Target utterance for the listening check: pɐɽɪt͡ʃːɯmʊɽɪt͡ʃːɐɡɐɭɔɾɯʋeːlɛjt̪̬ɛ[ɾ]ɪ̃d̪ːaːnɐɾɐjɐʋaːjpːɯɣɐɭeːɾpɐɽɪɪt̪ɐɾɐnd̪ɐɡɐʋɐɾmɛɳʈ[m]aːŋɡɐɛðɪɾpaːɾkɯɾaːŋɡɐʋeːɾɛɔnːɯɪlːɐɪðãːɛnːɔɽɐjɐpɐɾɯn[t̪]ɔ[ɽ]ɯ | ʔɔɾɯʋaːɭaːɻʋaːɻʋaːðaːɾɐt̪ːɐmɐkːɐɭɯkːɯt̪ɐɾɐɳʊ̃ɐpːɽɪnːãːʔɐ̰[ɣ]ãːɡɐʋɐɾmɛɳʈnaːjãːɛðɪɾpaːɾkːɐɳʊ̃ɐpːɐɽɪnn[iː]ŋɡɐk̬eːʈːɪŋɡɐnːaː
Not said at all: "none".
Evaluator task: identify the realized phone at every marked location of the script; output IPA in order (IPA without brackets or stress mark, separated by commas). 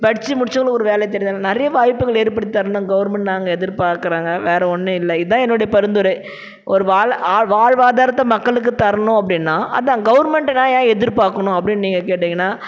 ɾ, n, d̪, ɾ, ð, iː